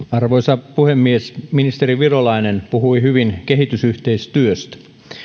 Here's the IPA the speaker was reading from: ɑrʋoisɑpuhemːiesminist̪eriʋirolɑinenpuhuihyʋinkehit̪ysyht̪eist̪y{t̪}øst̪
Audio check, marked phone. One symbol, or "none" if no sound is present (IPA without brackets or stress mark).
none